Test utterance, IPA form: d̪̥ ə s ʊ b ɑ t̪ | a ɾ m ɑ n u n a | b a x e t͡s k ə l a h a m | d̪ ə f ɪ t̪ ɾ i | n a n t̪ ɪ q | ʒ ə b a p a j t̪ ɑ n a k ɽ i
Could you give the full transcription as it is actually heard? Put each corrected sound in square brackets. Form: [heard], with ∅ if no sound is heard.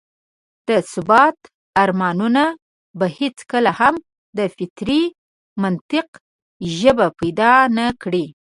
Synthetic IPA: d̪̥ ə s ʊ b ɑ t̪ | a ɾ m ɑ n u n a | b a [h] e t͡s k ə l a h a m | d̪ ə f ɪ t̪ ɾ i | [m] a n t̪ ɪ q | ʒ ə b a p a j [d̪] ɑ n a k ɽ i